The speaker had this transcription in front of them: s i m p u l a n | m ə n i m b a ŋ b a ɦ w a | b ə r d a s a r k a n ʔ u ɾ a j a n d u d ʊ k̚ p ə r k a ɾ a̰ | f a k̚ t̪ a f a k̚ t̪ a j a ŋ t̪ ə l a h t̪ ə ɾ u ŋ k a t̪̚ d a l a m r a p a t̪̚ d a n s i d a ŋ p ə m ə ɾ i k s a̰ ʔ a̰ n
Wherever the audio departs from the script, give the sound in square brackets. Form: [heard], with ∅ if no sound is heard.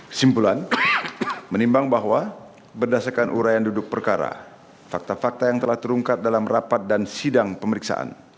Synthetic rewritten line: s i m p u l a n | m ə n i m b a ŋ b a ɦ w a | b ə r d a s a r k a n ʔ u ɾ a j a n d u d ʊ k̚ p ə r k a ɾ a̰ | f a k̚ t̪ a f a k̚ t̪ a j a ŋ t̪ ə l a h t̪ ə ɾ u ŋ k a t̪̚ d a l a m r a p a t̪̚ d a n s i d a ŋ p ə m ə ɾ i k s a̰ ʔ a̰ n